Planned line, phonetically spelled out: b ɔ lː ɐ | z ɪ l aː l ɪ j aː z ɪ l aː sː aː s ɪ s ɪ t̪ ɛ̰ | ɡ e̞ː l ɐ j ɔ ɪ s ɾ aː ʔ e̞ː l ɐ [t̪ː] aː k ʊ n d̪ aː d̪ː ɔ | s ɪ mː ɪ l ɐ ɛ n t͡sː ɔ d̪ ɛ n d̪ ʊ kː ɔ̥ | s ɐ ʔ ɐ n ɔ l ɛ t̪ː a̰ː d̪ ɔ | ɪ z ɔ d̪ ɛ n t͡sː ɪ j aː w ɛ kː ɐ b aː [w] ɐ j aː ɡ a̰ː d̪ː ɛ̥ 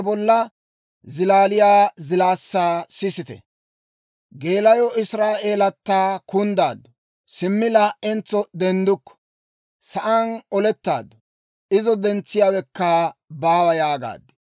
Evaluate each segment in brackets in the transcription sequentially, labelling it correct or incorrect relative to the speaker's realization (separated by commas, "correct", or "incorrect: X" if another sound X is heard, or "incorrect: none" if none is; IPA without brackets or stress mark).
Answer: correct, correct